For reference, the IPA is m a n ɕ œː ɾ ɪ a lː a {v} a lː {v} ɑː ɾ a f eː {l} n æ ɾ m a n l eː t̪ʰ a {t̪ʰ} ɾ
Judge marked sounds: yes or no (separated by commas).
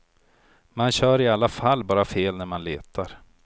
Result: no, no, yes, no